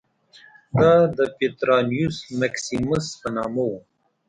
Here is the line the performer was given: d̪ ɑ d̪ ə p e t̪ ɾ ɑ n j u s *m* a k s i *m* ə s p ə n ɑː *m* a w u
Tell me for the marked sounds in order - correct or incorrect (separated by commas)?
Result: correct, correct, correct